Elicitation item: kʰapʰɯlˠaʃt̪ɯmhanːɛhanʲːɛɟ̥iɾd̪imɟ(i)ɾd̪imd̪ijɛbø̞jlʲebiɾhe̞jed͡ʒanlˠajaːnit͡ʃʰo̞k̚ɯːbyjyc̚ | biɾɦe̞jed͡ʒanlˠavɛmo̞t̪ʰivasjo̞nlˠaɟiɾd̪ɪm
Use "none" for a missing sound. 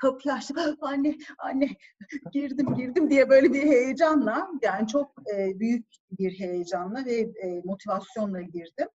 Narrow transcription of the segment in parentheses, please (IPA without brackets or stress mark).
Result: i